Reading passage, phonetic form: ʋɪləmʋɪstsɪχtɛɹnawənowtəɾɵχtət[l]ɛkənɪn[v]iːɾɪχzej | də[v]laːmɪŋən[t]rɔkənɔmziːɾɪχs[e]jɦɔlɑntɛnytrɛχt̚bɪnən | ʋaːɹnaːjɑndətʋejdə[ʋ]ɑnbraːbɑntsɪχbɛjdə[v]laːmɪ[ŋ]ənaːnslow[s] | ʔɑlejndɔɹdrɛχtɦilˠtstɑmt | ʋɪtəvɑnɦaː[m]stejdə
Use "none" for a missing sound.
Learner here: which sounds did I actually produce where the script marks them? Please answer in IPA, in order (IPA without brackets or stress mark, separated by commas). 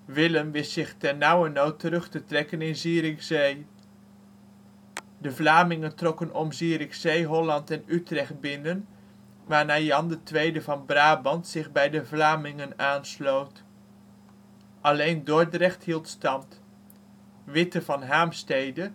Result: r, z, v, t, e, v, v, ŋ, t, m